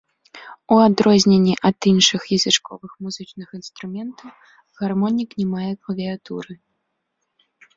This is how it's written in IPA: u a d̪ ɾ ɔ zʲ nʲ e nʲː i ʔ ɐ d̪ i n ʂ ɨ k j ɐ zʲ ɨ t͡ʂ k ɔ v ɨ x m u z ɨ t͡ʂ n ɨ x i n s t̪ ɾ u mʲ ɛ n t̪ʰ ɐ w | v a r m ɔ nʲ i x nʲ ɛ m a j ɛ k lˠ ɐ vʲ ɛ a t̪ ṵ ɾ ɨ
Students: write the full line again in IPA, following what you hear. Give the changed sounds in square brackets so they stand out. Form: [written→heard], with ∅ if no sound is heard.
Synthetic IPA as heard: u a d̪ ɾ ɔ zʲ nʲ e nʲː i ʔ ɐ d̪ i n ʂ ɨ [k→x] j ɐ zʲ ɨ t͡ʂ k ɔ v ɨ x m u z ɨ t͡ʂ n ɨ x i n s t̪ ɾ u mʲ ɛ n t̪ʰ ɐ w | [v→ɣ] a r m ɔ nʲ i [x→k] nʲ ɛ m a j ɛ k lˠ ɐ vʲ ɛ a t̪ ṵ ɾ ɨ